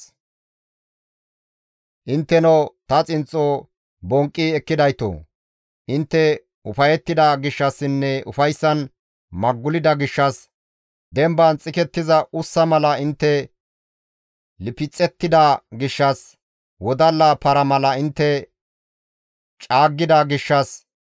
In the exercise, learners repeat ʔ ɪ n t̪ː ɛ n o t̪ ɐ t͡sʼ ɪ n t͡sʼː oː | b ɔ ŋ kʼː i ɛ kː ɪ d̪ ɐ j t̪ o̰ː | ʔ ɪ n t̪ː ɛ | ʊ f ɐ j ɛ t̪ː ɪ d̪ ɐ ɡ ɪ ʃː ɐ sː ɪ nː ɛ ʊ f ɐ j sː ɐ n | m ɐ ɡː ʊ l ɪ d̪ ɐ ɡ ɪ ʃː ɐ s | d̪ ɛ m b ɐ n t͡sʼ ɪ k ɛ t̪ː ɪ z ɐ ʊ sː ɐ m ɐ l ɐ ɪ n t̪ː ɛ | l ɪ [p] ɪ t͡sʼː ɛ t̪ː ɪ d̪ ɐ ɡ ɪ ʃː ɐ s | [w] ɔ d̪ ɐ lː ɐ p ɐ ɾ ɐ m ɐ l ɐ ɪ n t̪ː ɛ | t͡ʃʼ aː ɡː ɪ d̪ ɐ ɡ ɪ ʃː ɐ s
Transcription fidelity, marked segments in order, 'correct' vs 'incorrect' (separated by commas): correct, correct